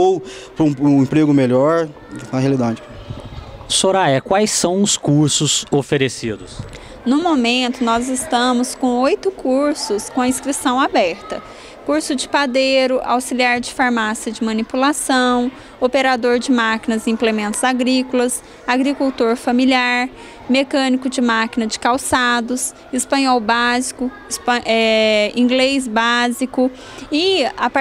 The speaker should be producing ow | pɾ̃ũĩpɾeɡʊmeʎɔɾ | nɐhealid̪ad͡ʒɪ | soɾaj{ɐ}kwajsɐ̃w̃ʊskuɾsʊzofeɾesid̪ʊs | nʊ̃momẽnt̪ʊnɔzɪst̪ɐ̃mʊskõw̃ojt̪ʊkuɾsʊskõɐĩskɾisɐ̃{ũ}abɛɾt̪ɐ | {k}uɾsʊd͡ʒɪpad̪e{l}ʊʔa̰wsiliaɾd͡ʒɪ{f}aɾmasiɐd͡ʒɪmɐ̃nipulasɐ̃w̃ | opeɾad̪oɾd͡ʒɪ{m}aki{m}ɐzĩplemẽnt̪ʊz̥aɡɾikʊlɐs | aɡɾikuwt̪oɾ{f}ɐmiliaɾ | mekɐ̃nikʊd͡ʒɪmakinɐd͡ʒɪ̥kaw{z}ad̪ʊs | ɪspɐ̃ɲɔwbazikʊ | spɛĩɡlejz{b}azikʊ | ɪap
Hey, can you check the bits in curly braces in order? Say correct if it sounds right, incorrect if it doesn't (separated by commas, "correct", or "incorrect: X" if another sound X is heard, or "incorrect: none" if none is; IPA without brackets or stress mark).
correct, incorrect: w̃, correct, incorrect: ɾ, correct, correct, incorrect: n, correct, incorrect: s, correct